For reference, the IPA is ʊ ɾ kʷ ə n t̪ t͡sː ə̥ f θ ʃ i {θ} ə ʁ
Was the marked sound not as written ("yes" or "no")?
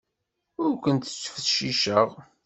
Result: yes